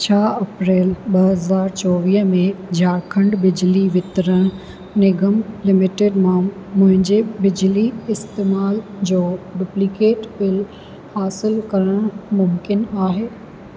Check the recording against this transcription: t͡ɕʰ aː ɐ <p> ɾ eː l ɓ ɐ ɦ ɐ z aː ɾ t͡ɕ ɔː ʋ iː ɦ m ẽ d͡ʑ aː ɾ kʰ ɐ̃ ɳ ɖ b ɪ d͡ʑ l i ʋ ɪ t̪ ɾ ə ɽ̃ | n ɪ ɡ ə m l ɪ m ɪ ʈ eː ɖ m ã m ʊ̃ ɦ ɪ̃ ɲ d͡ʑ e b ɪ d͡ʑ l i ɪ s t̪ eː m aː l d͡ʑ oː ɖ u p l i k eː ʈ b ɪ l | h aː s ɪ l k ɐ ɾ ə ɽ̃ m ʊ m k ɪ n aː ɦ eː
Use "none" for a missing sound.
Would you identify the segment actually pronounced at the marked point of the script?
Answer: p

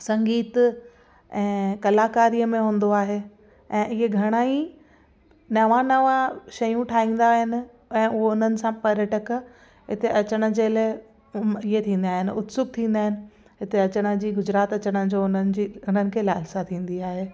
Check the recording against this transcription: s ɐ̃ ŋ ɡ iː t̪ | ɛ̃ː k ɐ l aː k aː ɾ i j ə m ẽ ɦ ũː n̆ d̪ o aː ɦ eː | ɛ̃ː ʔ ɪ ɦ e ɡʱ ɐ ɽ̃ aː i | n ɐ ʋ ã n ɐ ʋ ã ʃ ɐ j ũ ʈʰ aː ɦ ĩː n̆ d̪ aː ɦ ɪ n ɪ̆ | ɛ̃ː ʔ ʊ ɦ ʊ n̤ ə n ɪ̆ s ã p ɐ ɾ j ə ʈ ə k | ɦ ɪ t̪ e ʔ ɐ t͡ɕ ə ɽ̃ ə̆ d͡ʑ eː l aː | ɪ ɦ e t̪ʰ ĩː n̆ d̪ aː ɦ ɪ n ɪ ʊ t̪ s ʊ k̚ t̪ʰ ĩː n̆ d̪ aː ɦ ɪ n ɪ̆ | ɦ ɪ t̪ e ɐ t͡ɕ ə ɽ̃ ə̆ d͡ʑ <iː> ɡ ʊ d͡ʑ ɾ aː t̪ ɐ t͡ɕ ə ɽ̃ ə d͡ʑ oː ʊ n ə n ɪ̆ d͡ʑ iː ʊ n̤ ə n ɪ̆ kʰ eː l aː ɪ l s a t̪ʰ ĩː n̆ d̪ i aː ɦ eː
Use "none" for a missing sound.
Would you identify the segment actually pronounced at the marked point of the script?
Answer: iː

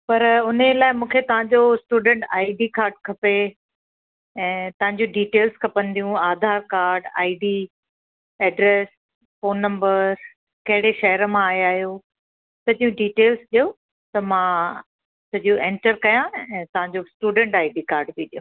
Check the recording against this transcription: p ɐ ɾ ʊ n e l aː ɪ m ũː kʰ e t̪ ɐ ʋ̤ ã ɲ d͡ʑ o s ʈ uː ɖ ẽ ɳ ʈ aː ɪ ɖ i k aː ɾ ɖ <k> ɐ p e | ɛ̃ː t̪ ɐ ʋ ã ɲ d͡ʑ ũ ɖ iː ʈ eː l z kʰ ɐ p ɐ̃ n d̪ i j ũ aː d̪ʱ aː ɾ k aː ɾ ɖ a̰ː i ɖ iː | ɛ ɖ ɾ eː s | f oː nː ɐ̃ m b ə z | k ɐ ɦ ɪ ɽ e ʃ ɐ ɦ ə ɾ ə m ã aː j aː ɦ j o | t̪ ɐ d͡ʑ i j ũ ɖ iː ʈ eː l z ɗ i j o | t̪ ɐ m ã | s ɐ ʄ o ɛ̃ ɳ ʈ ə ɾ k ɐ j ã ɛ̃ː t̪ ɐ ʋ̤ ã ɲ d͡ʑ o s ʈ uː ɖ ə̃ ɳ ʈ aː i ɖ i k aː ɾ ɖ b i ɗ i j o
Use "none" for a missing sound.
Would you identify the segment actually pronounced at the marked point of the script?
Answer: kʰ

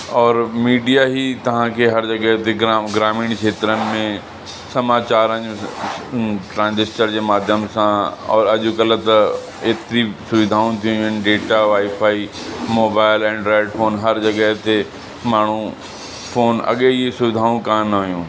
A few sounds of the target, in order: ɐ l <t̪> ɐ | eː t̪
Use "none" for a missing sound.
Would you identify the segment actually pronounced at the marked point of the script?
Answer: t̪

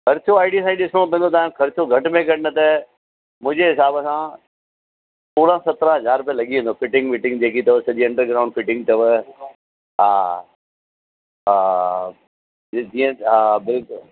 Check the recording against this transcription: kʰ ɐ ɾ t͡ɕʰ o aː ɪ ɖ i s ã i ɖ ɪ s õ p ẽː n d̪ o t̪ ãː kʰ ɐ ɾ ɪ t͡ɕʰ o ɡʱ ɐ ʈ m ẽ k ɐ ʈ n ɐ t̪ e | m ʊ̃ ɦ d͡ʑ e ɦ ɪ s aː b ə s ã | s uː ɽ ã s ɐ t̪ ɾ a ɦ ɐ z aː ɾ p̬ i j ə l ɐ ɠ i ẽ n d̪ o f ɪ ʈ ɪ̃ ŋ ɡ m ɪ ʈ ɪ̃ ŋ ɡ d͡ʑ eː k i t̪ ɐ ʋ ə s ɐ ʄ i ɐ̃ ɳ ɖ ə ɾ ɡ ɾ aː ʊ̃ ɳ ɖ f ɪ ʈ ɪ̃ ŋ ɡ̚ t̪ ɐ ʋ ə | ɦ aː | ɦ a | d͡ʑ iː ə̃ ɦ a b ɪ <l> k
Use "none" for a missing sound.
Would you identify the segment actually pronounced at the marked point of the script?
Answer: l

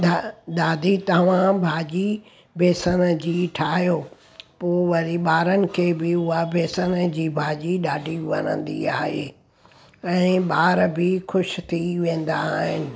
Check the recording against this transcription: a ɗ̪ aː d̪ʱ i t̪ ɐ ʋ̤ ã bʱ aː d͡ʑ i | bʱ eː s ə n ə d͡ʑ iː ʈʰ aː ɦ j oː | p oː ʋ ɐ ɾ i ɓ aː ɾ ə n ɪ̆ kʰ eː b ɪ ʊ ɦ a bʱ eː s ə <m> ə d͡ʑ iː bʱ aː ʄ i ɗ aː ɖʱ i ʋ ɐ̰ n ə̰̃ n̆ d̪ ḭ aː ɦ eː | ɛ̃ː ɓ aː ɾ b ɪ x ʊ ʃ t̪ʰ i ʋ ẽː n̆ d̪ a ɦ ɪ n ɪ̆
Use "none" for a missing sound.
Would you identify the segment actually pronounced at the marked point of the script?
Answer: n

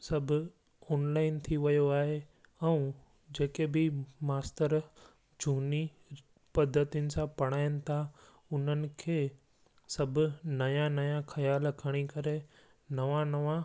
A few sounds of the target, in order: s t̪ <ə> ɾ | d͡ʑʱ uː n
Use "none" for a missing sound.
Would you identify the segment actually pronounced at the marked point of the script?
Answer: ə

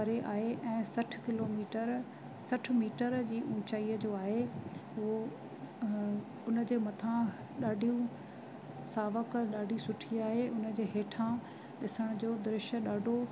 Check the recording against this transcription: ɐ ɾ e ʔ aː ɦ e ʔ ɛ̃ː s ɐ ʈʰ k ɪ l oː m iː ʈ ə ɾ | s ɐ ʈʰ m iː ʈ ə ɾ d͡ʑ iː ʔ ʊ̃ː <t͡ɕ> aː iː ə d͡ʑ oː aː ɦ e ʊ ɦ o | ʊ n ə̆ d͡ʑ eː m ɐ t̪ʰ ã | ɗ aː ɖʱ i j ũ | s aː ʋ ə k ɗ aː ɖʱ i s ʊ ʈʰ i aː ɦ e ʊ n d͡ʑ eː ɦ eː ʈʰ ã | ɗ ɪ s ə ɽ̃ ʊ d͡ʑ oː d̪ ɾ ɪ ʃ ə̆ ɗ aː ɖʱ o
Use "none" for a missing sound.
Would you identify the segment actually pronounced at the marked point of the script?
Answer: t͡ɕ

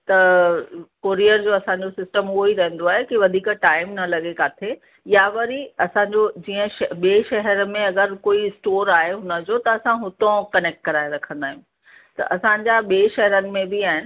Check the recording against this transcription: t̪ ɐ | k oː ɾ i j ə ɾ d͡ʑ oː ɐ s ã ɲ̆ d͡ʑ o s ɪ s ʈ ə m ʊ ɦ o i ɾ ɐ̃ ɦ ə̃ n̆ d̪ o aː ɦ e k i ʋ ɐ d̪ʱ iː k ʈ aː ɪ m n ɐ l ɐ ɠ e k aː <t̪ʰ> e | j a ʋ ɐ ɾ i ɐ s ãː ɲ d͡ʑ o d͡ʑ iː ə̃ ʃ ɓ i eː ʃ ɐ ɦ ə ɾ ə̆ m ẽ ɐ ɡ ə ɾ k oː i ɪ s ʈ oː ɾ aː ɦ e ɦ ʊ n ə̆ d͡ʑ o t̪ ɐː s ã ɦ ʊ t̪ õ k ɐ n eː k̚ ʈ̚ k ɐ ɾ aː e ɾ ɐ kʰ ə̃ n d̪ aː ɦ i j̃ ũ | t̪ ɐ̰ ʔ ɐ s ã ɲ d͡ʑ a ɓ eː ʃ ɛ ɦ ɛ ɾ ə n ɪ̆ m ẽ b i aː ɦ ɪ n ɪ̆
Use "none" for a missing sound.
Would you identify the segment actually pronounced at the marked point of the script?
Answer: t̪ʰ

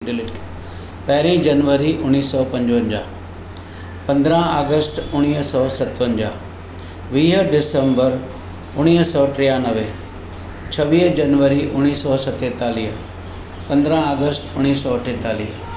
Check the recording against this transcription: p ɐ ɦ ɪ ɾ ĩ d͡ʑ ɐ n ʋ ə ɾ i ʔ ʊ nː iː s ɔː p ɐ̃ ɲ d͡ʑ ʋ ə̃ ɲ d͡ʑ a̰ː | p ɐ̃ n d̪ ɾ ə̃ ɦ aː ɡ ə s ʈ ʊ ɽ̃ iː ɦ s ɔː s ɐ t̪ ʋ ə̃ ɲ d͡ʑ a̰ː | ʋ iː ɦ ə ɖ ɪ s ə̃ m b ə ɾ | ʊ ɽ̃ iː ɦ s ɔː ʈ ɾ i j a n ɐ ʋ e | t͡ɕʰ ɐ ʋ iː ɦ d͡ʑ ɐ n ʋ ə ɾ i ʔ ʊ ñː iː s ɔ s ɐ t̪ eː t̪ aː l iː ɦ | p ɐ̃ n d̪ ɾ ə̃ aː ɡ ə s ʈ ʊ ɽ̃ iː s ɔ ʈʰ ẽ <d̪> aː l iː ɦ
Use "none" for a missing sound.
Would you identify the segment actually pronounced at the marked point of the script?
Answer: t̪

